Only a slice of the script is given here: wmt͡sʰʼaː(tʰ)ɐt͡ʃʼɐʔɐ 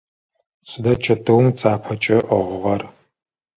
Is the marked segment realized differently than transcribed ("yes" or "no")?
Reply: yes